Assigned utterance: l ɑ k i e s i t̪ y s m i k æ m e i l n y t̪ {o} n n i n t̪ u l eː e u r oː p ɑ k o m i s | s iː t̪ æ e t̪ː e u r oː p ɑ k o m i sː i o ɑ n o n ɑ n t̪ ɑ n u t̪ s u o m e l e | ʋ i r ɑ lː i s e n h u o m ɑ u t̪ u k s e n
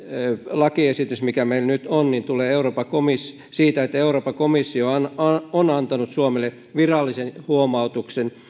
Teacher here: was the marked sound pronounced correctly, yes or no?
yes